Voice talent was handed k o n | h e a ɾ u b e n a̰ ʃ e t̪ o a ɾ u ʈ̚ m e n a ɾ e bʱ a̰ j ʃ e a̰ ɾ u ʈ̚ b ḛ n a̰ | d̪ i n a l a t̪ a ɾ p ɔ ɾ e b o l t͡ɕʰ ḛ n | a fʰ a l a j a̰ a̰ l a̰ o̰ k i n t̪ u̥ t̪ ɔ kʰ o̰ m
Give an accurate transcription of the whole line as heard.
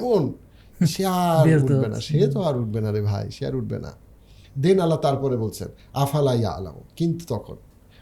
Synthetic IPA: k o n | ʃ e a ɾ u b e n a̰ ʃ e t̪ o a ɾ u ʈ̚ b e n a ɾ e bʱ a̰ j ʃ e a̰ ɾ u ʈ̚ b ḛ n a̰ | d̪ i n a l a t̪ a ɾ p ɔ ɾ e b o l t͡ɕʰ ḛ n | a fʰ a l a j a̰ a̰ l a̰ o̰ k i n t̪ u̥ t̪ ɔ kʰ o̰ n